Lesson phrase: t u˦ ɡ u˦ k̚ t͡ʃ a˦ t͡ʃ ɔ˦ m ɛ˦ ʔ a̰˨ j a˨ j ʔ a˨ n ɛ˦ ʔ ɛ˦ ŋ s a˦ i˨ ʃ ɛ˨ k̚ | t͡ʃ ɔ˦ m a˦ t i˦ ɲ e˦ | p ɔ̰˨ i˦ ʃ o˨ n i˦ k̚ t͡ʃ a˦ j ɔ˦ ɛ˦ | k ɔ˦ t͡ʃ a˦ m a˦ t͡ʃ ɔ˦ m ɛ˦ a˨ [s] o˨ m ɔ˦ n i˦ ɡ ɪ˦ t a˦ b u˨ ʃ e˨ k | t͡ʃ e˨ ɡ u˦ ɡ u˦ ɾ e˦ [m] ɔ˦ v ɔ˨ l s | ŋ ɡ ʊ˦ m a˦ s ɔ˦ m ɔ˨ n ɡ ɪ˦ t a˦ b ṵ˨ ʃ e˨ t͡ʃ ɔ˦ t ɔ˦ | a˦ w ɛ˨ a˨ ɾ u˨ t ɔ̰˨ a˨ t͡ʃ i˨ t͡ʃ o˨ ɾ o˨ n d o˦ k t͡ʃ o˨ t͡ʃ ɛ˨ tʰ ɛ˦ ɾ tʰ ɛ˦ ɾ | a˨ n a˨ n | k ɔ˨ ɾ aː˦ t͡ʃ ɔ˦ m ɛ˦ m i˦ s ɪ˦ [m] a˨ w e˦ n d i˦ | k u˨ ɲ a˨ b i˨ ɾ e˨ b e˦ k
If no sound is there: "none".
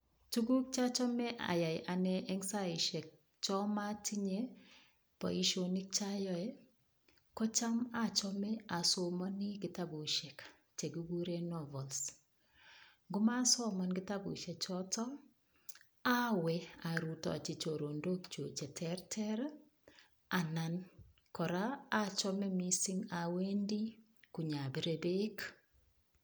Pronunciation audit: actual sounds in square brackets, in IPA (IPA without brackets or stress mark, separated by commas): s, n, ŋ